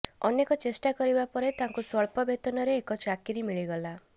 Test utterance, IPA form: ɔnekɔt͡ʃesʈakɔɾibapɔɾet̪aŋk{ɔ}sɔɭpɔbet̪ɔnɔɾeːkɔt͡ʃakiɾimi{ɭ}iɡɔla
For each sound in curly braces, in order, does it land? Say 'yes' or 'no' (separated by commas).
no, yes